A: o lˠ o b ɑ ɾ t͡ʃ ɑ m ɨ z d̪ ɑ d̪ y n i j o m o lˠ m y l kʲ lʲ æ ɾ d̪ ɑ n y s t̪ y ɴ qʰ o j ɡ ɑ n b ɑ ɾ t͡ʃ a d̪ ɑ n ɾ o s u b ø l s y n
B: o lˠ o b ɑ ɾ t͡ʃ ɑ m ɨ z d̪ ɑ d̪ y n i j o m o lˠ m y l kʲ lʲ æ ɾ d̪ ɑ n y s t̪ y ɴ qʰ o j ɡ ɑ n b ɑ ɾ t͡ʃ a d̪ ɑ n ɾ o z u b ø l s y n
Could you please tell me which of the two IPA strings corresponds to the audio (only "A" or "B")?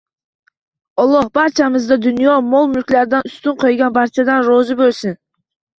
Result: B